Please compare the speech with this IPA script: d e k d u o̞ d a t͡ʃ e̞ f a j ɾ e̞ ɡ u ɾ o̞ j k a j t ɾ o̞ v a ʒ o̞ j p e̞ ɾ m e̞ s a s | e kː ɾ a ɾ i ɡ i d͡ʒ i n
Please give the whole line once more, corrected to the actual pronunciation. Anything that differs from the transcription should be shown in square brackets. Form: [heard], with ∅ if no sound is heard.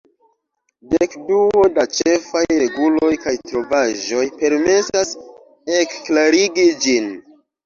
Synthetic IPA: d e k d u o̞ d a t͡ʃ e̞ f a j ɾ e̞ ɡ u [l] o̞ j k a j t ɾ o̞ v a ʒ o̞ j p e̞ ɾ m e̞ s a s | e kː [l] a ɾ i ɡ i d͡ʒ i n